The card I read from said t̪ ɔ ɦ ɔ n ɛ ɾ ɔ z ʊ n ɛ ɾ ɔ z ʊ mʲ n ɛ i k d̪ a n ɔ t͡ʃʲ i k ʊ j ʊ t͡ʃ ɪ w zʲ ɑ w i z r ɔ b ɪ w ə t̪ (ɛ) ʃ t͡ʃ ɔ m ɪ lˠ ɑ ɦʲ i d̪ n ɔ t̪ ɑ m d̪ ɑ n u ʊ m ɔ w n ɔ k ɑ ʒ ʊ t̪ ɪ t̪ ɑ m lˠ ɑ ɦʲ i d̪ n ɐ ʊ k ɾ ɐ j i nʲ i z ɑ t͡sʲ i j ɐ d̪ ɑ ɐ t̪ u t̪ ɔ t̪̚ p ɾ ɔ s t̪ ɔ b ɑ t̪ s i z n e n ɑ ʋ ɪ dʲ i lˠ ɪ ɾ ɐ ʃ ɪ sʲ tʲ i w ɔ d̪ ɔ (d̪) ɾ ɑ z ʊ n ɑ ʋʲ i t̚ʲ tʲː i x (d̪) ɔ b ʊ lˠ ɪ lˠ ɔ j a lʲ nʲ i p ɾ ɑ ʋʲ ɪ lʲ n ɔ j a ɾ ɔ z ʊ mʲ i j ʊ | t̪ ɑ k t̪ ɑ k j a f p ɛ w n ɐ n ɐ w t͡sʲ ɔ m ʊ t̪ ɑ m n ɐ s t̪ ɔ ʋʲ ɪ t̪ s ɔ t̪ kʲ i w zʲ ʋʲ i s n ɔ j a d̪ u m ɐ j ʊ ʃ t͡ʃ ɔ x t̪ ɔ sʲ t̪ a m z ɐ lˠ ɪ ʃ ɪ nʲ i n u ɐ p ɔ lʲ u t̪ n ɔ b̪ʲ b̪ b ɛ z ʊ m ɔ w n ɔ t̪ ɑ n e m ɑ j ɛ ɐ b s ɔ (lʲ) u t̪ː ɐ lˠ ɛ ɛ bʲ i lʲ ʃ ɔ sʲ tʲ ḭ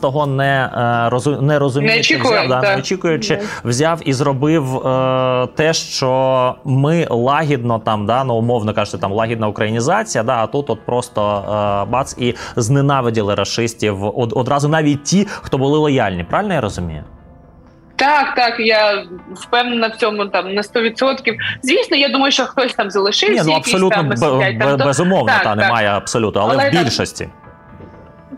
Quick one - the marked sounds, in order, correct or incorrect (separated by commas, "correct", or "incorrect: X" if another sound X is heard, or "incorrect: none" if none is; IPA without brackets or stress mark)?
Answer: correct, correct, incorrect: t̪, correct